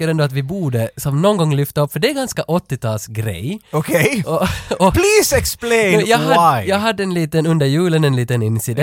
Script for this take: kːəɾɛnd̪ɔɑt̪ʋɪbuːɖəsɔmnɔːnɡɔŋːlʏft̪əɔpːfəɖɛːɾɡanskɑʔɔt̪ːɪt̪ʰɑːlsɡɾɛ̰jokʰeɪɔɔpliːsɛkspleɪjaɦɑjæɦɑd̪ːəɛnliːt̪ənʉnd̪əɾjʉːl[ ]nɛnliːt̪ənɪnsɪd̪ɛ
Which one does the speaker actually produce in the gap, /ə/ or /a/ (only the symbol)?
ə